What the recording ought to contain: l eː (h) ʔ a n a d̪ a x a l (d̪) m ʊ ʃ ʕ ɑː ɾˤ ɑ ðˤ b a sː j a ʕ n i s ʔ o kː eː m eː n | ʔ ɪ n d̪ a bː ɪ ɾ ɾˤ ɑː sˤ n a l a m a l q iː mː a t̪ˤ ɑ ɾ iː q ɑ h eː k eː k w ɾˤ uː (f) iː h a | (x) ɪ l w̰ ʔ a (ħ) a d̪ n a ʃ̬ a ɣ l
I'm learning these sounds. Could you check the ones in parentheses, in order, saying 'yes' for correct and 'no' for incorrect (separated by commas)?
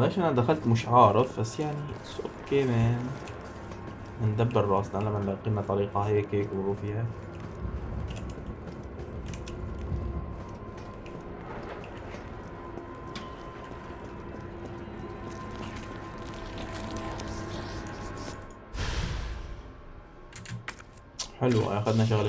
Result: no, no, yes, no, no